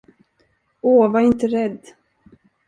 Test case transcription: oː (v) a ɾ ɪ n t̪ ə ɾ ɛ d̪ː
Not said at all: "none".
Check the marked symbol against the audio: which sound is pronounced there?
v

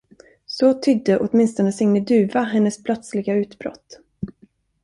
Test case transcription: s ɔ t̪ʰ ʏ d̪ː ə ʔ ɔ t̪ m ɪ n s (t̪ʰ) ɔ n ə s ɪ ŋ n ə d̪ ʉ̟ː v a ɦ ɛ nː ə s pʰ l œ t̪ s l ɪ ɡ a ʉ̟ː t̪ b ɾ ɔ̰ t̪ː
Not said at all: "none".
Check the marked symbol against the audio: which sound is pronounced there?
t̪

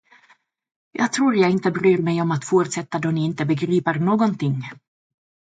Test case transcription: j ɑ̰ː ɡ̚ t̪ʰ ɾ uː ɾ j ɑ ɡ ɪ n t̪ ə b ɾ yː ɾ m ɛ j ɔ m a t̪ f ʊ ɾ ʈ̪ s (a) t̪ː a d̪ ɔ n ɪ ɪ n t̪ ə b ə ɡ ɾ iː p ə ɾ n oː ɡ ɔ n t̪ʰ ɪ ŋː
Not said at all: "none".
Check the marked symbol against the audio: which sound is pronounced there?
ɛ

